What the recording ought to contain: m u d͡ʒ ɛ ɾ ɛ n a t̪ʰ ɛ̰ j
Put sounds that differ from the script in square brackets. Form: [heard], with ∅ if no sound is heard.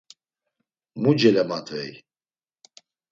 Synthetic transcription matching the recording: m u d͡ʒ ɛ [l] ɛ [m] a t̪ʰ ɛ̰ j